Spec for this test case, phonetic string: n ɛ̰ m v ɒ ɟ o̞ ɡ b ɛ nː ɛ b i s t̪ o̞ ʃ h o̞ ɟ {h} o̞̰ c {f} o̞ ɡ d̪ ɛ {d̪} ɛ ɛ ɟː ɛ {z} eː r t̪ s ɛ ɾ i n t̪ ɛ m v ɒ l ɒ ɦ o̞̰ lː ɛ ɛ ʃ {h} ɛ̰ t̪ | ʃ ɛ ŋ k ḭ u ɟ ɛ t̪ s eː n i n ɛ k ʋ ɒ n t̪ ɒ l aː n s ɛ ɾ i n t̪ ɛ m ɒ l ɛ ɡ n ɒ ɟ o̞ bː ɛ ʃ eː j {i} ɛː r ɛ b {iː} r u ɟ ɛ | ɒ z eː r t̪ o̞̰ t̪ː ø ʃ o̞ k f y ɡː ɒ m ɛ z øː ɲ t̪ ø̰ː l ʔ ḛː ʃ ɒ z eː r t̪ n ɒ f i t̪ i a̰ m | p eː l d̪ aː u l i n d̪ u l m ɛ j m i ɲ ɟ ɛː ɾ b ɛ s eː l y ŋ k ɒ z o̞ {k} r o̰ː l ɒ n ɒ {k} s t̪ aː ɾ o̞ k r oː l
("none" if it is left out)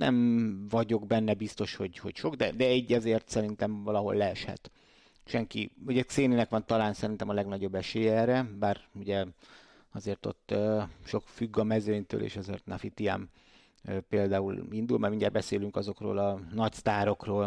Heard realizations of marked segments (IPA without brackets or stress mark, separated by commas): h, ʃ, d̪, z, h, ɛ, aː, k, c